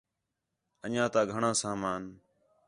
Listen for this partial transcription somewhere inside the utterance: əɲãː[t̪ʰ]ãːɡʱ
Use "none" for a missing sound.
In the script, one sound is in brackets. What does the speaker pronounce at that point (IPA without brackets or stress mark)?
t̪